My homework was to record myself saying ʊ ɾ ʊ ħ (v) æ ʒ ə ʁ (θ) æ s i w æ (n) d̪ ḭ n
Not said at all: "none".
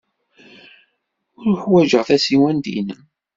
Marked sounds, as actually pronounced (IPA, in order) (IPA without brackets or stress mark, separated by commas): w, θ, n